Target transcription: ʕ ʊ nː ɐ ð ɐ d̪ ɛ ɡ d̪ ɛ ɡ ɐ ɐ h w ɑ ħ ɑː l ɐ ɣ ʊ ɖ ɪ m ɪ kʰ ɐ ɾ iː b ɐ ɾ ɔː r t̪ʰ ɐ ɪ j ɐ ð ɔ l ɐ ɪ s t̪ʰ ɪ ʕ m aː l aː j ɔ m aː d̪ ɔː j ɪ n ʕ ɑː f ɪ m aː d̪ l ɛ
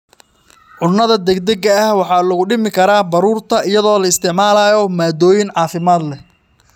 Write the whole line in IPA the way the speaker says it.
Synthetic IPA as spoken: ʕ ʊ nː ɐ ð ɐ d̪ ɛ ɡ d̪ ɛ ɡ ɐ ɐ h w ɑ ħ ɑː l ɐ ɣ ʊ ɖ ɪ m ɪ kʰ ɐ ɾ aː b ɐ ɾ uː r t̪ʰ ɐ ɪ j ɐ ð ɔː l ɐ ɪ s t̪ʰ ɪ ʕ m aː l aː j ɔ m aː d̪ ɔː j ɪ n ʕ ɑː f ɪ m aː d̪ l ɛ